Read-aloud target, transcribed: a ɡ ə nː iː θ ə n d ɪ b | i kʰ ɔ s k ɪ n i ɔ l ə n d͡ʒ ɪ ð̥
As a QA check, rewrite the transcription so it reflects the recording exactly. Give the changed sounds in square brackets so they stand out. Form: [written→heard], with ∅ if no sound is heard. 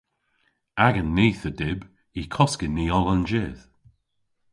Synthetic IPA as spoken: a ɡ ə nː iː θ ə [n→∅] d ɪ b | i kʰ ɔ s k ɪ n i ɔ l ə n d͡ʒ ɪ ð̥